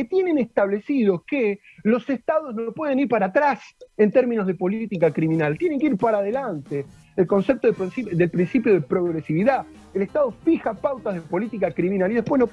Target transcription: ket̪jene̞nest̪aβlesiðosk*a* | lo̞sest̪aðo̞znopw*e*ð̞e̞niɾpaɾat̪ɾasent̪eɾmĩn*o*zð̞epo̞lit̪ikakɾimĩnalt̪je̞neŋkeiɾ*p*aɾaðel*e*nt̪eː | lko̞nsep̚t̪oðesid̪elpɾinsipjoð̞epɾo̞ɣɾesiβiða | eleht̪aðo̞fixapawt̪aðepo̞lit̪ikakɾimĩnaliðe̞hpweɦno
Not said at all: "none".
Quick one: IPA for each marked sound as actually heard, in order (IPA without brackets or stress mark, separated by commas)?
e, e, o, p, a